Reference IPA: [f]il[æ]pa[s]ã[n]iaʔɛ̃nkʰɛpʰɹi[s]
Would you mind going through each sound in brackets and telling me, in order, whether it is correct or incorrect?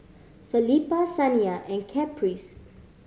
correct, incorrect, correct, correct, correct

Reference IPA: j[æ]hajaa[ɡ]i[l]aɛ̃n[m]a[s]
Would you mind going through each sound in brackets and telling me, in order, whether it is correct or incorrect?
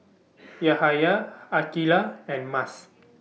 incorrect, incorrect, correct, correct, correct

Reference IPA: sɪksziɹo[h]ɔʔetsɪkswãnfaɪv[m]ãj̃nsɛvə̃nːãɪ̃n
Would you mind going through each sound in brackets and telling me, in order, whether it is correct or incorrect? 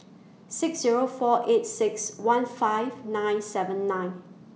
incorrect, incorrect

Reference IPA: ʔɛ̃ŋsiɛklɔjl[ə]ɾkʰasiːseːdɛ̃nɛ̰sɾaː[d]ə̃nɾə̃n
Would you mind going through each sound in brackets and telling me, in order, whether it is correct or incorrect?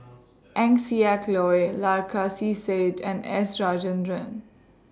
incorrect, incorrect

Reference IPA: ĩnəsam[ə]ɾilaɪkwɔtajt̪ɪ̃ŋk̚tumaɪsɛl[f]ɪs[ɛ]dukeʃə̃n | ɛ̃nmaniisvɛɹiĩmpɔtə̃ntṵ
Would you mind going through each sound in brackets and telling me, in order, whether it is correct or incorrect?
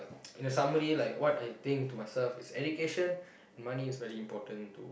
correct, correct, correct

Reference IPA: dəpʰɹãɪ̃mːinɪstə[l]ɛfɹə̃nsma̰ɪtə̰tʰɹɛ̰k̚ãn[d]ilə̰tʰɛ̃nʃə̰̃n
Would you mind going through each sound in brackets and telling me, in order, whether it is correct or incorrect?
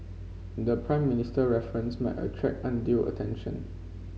incorrect, correct

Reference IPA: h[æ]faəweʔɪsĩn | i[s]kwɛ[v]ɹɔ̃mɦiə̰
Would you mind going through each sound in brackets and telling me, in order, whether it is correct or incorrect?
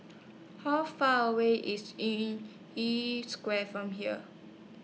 incorrect, correct, incorrect

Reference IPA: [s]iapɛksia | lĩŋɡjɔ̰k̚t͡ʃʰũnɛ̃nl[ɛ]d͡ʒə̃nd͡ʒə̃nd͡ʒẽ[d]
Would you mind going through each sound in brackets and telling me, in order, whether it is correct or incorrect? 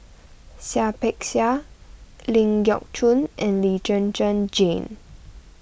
correct, incorrect, incorrect

